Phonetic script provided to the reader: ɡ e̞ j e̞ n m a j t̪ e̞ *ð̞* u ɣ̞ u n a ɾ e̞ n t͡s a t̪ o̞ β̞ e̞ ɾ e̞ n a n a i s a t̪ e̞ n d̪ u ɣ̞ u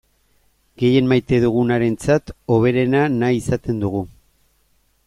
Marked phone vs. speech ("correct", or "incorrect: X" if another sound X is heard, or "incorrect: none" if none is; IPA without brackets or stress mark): correct